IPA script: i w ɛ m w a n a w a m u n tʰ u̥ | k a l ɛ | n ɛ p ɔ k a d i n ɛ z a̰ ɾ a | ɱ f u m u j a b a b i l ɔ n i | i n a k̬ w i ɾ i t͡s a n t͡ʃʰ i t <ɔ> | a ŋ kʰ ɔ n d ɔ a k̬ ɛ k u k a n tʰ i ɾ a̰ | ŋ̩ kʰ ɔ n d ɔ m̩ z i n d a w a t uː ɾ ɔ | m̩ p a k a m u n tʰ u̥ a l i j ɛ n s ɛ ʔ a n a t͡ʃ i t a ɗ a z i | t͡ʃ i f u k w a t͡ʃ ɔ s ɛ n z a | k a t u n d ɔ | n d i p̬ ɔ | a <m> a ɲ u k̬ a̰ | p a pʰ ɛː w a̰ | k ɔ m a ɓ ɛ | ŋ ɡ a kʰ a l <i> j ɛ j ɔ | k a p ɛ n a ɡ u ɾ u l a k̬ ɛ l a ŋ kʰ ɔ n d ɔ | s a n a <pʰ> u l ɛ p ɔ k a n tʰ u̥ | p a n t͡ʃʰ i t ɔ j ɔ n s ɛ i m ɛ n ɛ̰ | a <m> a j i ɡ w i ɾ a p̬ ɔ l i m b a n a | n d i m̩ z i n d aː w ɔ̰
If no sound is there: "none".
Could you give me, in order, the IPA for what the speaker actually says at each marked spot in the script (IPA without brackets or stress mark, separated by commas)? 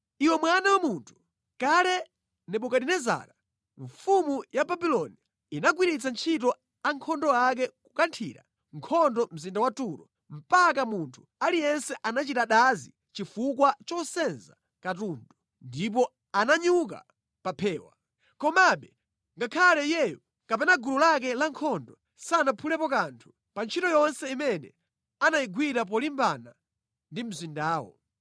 ɔ, n, ɛ, pʰ, n